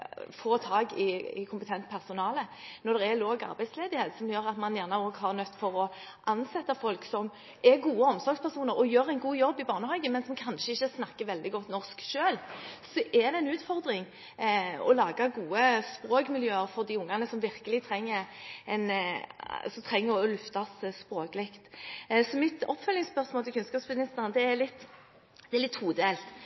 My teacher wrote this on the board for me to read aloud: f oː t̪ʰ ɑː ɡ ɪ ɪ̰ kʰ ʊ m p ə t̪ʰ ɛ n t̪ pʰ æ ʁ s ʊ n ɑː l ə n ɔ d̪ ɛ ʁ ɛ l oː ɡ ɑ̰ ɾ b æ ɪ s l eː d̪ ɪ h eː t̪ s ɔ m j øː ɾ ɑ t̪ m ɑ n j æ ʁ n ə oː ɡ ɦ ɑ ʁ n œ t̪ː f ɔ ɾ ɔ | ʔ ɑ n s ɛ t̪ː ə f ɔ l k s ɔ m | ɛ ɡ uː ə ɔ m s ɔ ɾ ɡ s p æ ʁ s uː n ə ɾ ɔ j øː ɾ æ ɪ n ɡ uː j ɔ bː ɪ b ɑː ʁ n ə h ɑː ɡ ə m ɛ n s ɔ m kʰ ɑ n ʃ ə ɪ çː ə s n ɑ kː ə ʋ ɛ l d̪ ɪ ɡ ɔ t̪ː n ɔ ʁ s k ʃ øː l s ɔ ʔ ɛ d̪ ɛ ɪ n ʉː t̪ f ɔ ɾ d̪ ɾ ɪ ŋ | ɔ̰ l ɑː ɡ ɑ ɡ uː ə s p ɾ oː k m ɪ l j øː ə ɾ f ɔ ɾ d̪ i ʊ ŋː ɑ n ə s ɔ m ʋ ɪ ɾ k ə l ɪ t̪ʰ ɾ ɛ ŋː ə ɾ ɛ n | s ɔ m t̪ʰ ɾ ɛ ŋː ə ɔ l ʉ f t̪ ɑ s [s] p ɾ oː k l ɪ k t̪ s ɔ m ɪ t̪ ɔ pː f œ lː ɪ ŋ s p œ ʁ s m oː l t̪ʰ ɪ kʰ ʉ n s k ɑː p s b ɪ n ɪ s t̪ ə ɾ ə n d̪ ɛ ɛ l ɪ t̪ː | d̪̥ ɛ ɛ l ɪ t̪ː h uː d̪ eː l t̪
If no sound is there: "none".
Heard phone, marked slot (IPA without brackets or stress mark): s